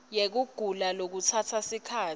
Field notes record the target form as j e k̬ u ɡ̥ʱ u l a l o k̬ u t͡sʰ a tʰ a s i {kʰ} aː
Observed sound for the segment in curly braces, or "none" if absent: kʰ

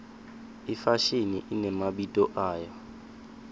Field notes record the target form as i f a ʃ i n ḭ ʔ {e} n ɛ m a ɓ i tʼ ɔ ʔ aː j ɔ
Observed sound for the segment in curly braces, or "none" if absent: i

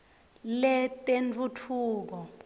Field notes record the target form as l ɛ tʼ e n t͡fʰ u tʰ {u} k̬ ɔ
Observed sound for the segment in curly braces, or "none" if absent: uː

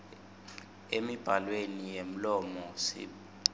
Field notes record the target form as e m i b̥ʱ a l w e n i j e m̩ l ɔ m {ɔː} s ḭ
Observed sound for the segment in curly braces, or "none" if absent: ɔ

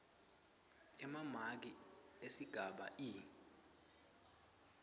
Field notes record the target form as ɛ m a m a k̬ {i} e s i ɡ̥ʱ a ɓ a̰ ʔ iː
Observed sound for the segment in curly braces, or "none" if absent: i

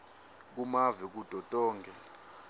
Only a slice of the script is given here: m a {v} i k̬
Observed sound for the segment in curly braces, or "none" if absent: v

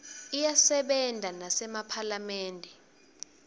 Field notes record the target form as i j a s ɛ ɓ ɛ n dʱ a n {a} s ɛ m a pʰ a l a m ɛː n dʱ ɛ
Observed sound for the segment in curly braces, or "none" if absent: a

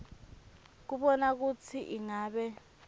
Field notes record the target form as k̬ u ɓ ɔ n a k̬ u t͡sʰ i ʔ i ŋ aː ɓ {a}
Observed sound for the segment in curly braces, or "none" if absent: ɛ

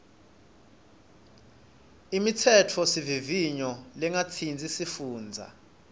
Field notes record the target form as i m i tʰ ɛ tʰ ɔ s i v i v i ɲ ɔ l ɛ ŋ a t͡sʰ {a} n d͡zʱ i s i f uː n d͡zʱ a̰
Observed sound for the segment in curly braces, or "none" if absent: i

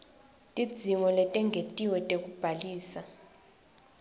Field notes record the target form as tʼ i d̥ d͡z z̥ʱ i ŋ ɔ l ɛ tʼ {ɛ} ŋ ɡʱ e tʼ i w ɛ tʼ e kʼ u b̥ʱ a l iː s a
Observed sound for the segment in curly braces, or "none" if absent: ɛ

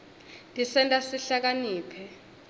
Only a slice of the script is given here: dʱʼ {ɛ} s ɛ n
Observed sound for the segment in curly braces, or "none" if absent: i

